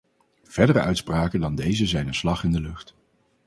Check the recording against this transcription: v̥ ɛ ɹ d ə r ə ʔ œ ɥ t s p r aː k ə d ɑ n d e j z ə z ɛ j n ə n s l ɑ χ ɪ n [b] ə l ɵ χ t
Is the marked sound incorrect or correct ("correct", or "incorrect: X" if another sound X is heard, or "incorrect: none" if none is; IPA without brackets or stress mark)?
incorrect: d